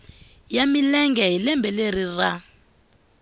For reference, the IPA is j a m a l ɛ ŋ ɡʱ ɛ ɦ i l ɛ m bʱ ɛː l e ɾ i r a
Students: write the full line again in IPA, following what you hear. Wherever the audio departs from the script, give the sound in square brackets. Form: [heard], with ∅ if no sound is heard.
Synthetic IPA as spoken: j a m [i] l ɛ ŋ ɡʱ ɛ ɦ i l ɛ m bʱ [ɛ] l e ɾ i r a